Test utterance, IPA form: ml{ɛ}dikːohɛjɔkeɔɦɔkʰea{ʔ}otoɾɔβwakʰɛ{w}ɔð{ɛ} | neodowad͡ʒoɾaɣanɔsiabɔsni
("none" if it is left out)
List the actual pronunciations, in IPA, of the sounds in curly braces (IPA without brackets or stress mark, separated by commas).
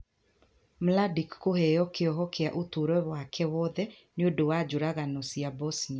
a, ʔ, w, ɛ